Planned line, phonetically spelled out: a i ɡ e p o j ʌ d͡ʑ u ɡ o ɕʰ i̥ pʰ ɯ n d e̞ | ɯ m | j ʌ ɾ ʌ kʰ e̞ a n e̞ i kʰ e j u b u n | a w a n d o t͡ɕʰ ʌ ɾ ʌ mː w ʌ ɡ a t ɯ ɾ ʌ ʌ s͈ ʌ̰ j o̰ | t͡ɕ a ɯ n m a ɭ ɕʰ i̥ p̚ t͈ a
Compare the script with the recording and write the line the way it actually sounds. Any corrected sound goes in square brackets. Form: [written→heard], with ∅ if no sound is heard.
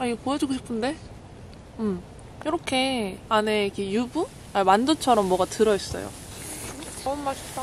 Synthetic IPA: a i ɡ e p o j ʌ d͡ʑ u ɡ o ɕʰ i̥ pʰ ɯ n d e̞ | ɯ m | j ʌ ɾ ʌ kʰ e̞ a n e̞ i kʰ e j u b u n | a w a n d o t͡ɕʰ ʌ ɾ ʌ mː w ʌ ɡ a t ɯ ɾ ʌ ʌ s͈ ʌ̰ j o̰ | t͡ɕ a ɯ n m a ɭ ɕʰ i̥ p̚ t͈ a